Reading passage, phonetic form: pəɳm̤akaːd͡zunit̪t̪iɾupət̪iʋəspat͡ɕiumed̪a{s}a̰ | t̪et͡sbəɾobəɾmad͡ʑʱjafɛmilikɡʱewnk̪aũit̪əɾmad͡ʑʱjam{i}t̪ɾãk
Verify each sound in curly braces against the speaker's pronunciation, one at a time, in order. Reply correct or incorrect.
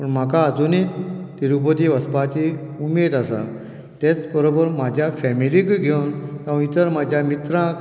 correct, correct

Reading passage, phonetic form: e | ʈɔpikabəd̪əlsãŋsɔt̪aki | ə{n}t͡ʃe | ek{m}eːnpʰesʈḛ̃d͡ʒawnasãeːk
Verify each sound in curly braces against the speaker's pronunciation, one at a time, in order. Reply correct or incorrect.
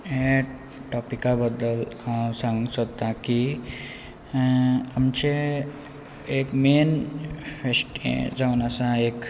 incorrect: m, correct

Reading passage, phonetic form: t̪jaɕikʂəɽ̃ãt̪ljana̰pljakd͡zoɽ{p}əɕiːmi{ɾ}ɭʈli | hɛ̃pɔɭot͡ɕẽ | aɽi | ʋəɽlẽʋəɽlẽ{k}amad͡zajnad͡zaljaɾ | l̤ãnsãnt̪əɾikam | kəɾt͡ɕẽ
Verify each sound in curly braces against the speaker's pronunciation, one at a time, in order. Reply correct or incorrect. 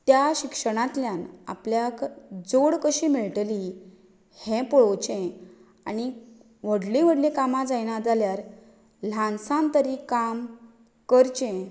incorrect: k, incorrect: none, correct

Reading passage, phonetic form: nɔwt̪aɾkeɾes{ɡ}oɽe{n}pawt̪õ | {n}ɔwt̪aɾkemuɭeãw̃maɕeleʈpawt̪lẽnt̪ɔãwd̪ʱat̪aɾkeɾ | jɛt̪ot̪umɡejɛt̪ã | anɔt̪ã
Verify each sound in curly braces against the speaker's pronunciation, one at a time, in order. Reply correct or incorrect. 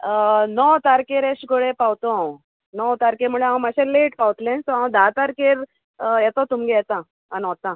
correct, incorrect: none, correct

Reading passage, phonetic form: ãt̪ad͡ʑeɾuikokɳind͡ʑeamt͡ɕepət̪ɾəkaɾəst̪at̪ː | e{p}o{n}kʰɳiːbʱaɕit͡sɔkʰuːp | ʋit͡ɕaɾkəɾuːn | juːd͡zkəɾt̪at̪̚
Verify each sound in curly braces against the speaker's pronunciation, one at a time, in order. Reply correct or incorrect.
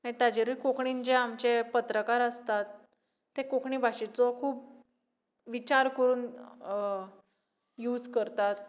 incorrect: k, incorrect: none

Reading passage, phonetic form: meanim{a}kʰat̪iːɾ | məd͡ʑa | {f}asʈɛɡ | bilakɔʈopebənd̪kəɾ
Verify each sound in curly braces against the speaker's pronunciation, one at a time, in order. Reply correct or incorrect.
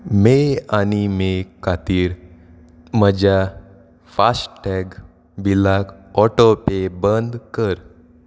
incorrect: e, correct

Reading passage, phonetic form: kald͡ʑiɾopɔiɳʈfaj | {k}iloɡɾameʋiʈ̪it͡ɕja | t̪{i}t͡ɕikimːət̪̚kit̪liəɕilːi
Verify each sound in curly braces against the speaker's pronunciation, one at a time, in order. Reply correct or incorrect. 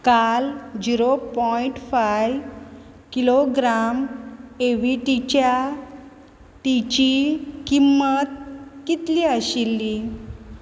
correct, correct

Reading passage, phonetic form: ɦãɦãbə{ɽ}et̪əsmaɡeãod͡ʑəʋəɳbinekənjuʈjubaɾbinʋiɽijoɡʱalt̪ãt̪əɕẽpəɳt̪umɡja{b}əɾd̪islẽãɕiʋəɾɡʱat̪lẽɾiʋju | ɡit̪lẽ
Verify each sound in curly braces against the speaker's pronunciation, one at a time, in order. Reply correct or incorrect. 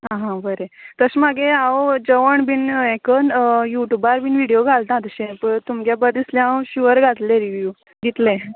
incorrect: ɾ, correct

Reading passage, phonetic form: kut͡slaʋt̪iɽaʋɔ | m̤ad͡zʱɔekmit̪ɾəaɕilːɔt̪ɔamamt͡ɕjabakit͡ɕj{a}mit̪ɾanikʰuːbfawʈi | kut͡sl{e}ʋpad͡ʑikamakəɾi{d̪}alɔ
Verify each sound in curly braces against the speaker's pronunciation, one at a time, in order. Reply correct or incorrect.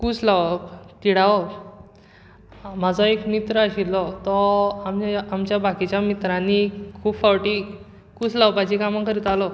correct, incorrect: a, incorrect: t̪

